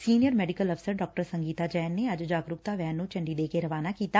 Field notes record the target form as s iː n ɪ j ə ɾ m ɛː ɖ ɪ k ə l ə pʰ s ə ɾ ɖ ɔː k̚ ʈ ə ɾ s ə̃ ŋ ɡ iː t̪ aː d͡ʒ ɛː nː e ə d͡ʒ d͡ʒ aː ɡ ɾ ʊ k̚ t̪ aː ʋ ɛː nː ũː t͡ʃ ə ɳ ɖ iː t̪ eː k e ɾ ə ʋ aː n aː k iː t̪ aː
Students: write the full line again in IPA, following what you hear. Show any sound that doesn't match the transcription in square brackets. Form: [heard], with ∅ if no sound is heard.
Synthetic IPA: s iː n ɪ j ə ɾ m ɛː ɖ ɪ k ə l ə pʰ s ə ɾ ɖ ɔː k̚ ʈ ə ɾ s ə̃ ŋ ɡ iː t̪ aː d͡ʒ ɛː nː e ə d͡ʒ d͡ʒ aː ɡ ɾ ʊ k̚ t̪ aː ʋ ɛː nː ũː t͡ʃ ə ɳ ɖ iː [d̪] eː k e ɾ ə ʋ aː n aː k iː t̪ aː